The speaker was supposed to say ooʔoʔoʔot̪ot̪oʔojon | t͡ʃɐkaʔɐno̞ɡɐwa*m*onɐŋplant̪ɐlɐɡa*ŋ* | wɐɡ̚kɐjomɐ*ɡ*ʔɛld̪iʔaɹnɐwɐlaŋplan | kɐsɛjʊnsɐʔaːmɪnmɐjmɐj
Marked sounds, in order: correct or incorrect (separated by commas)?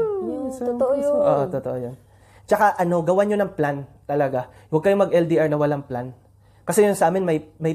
incorrect, incorrect, correct